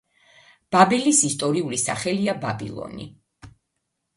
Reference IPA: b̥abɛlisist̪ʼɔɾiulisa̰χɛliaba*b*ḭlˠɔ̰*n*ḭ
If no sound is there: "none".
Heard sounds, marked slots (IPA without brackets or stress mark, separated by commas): b, n